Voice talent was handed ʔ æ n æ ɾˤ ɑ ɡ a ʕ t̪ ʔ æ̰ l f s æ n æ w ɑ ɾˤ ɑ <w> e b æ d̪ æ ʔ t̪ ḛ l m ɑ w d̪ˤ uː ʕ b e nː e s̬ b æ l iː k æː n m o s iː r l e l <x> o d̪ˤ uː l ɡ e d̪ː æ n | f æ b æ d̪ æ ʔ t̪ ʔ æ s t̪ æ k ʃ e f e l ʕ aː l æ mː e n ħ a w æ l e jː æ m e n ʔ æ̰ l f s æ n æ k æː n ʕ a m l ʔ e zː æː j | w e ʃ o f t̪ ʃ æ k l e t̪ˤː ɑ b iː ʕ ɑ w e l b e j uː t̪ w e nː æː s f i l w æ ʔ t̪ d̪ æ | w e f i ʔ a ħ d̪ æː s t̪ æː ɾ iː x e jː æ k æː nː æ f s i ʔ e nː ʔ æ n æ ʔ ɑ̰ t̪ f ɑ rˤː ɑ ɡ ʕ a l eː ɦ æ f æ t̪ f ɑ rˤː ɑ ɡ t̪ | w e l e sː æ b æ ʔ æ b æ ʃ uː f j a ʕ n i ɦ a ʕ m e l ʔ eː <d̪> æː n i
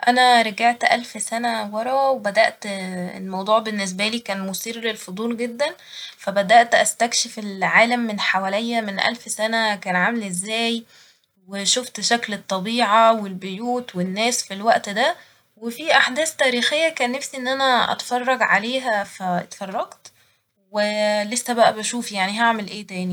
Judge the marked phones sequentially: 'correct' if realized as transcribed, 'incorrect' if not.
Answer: correct, incorrect: f, incorrect: t̪

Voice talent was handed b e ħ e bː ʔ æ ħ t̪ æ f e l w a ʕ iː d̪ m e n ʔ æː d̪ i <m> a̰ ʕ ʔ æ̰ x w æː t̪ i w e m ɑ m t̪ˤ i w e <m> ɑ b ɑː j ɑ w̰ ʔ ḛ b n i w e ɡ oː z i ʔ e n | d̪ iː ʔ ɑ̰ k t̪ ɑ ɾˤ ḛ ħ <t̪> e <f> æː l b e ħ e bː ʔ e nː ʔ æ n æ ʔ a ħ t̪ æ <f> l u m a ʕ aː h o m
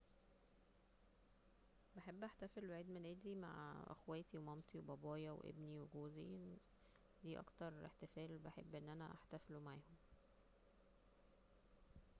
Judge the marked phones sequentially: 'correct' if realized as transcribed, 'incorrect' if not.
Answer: correct, incorrect: b, correct, correct, correct

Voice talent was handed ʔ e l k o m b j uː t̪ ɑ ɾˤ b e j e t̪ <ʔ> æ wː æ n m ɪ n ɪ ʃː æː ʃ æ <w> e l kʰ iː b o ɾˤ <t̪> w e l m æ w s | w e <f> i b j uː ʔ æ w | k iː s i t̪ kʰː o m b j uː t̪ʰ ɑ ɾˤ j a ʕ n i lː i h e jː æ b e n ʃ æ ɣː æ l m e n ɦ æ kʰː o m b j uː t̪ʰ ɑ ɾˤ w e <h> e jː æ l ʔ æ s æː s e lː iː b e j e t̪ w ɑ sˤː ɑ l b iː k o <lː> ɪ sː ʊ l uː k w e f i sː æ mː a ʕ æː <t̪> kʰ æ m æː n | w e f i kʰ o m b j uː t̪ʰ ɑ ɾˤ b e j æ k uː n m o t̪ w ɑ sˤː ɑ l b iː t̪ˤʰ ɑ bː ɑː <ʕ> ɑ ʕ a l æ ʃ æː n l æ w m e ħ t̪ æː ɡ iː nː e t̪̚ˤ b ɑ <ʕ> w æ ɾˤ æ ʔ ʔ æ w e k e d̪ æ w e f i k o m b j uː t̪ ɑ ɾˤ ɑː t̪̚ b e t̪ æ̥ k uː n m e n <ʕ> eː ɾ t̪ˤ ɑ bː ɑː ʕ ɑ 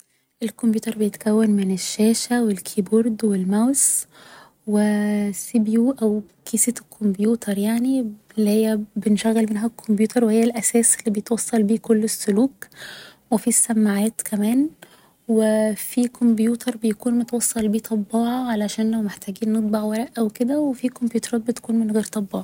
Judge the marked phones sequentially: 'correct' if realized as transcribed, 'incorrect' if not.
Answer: incorrect: k, correct, incorrect: d̪, incorrect: s, correct, correct, correct, correct, correct, incorrect: ɣ

